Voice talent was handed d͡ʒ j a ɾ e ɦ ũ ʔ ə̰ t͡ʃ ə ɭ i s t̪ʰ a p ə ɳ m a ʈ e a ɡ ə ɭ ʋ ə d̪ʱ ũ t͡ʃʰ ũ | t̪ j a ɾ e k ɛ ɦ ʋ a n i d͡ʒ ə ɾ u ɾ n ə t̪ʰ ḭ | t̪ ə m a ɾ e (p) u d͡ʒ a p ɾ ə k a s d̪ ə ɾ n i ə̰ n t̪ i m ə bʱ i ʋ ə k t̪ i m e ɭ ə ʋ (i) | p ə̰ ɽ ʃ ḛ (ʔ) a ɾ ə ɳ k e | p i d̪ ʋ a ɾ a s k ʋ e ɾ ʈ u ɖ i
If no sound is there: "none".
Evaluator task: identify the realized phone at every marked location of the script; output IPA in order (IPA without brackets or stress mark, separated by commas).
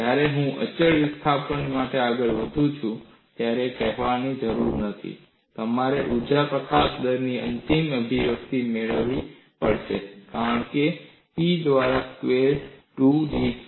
ʔ, i, k